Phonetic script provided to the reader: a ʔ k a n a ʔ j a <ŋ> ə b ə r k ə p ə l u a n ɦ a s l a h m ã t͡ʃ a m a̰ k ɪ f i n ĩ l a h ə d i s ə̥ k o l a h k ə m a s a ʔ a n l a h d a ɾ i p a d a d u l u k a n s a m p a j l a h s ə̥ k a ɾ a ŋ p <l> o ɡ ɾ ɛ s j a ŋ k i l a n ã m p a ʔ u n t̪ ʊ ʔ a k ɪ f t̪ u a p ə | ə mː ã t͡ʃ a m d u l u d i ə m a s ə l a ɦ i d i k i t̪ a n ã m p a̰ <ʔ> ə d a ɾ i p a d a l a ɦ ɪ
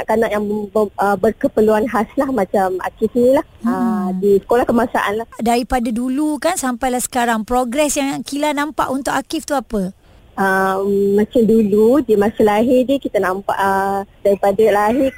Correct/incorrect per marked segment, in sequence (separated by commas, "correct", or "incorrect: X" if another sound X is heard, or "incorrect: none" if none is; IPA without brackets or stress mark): correct, incorrect: ɾ, correct